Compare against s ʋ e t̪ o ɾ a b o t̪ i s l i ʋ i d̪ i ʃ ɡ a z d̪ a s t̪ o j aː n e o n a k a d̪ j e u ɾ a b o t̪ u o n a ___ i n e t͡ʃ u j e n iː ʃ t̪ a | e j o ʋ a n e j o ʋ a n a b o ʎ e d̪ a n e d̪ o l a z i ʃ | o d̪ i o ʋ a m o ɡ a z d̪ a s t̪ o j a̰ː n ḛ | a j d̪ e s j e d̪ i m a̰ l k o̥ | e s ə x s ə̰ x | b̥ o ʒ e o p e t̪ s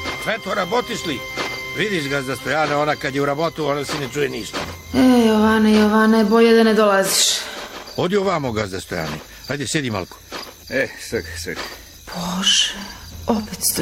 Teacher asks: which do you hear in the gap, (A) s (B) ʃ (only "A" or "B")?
A